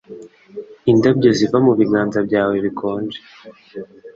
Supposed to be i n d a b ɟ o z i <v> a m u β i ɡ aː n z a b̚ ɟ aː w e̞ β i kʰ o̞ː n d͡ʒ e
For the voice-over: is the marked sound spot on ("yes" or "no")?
yes